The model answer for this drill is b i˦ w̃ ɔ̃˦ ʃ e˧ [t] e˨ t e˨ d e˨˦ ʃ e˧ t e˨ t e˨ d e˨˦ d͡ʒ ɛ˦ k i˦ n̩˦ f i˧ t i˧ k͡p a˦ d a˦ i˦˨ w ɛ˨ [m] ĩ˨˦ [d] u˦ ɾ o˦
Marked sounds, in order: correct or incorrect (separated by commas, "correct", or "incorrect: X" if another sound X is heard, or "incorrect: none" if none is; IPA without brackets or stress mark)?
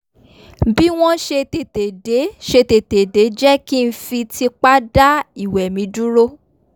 correct, correct, correct